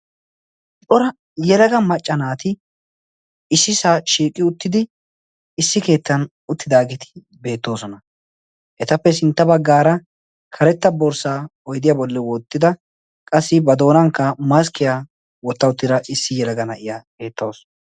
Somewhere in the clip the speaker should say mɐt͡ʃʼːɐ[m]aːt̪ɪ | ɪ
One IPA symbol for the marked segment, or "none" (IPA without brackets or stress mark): n